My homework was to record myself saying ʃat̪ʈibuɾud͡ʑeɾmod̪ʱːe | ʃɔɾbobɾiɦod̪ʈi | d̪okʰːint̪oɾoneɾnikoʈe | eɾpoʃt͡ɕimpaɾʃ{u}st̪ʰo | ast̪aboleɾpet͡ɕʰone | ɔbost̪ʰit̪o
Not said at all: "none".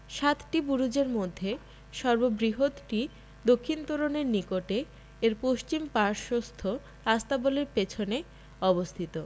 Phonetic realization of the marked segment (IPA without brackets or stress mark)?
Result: o